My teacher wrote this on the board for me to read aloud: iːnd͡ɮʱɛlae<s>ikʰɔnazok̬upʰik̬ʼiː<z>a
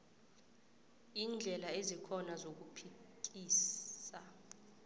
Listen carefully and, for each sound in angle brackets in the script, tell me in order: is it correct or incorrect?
incorrect, incorrect

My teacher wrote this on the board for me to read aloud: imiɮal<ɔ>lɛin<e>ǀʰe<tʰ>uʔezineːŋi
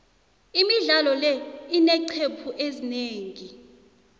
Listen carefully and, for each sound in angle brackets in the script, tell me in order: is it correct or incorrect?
correct, incorrect, incorrect

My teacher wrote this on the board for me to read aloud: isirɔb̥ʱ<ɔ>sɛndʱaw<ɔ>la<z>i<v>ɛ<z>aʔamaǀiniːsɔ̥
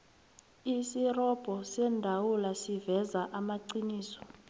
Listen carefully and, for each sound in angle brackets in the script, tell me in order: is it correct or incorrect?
correct, incorrect, incorrect, correct, correct

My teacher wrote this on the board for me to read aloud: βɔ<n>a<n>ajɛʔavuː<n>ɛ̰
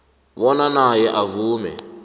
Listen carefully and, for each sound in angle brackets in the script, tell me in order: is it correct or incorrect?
correct, correct, incorrect

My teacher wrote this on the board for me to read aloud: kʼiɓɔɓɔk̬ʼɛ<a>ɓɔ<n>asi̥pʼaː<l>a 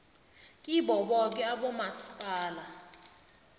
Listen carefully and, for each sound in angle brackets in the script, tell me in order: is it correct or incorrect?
correct, incorrect, correct

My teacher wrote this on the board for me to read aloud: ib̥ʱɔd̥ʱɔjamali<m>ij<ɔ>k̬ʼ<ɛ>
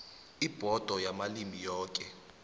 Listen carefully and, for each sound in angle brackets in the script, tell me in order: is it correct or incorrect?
correct, incorrect, correct

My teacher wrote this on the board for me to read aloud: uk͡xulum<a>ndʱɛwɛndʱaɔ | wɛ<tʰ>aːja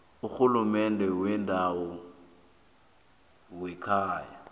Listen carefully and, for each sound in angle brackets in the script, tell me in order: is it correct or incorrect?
incorrect, incorrect

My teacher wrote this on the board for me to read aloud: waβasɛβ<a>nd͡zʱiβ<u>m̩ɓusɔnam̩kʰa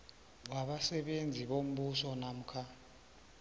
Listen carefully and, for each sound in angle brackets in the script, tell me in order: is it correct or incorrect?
incorrect, incorrect

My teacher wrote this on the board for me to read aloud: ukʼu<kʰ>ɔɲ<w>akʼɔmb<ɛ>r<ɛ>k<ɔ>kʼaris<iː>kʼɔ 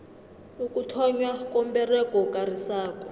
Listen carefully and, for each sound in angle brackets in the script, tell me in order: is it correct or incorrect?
incorrect, correct, correct, correct, correct, incorrect

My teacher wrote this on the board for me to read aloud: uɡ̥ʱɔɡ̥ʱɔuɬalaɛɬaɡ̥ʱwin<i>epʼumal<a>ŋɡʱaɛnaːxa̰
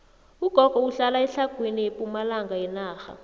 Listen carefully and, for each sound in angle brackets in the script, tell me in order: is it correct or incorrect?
correct, correct

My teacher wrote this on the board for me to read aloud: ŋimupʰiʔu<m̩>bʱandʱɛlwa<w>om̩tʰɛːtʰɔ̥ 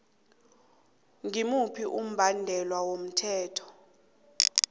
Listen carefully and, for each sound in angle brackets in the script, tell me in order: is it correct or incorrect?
correct, correct

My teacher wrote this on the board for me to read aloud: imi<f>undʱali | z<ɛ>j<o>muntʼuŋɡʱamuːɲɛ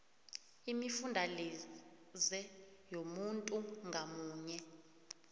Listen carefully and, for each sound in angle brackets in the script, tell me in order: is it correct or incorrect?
correct, correct, correct

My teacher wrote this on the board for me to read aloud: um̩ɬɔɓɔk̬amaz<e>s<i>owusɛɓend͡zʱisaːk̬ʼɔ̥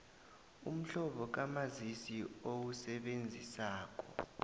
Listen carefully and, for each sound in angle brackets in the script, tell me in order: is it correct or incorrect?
incorrect, correct

